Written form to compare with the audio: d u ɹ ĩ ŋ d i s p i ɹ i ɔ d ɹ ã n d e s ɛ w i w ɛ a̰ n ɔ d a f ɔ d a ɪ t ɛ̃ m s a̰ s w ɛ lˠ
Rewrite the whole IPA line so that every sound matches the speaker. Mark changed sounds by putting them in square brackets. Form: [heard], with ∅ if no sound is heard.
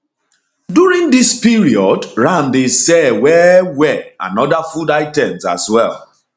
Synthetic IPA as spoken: d u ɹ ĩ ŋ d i s p i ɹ i ɔ d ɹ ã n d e s ɛ w [ɛ] w ɛ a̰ n ɔ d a f [u] d a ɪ t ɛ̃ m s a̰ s w ɛ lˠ